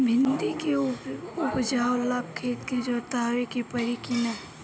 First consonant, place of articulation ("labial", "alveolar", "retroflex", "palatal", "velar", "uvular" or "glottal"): labial